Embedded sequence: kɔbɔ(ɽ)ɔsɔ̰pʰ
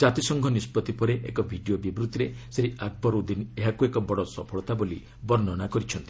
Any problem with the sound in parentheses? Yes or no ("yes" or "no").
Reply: no